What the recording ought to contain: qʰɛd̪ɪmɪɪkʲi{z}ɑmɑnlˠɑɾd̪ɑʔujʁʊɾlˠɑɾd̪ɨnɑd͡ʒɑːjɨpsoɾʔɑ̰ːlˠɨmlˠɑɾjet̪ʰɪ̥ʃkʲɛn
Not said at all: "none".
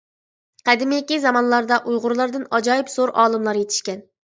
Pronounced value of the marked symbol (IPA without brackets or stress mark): z